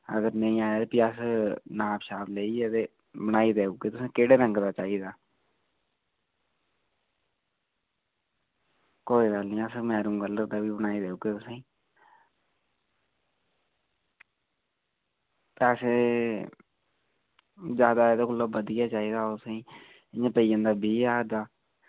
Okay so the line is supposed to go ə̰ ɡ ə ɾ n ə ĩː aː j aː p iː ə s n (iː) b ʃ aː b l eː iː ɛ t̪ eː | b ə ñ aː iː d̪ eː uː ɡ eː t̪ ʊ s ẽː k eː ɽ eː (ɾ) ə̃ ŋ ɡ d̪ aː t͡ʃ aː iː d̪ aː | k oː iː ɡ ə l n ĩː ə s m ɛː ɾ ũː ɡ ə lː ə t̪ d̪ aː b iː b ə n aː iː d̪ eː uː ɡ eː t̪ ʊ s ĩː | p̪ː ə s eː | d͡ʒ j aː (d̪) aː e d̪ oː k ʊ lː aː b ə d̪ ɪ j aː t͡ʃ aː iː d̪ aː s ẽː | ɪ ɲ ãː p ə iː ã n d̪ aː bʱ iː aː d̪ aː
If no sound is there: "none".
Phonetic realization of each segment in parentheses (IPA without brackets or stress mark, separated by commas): aː, ɾ, d̪